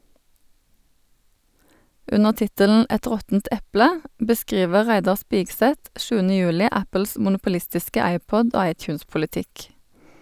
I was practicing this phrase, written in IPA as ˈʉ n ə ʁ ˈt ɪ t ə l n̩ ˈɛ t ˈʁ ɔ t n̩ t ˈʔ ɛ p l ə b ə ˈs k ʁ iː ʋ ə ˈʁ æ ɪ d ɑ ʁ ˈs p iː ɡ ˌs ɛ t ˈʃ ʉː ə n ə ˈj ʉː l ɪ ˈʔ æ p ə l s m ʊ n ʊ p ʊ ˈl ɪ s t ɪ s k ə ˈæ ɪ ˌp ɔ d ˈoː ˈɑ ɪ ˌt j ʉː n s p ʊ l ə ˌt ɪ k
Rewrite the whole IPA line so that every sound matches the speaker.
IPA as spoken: ˈʉ n ə ʁ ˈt ɪ t ə l n̩ ˈɛ t ˈʁ ɔ t n̩ t ˈʔ ɛ p l ə b ə ˈs k ʁ iː ʋ ə ˈʁ æ ɪ d ɑ ʁ ˈs p iː ɡ ˌs ɛ t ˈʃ ʉː ə n ə ˈj ʉː l ɪ ˈʔ æ p ə l s m ʊ n ʊ p ʊ ˈl ɪ s t ɪ s k ə ˈæ ɪ ˌp ɔ d ˈoː ˈɑ ɪ ˌt j ʉː n s p ʊ l ə ˌt ɪ k